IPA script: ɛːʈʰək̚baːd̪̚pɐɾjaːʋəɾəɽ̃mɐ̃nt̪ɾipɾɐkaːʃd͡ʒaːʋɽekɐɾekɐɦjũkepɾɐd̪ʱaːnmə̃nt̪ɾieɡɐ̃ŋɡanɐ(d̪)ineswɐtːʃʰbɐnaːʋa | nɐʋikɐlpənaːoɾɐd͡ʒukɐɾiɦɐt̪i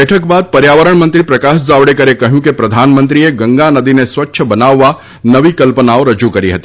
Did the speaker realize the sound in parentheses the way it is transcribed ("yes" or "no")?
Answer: yes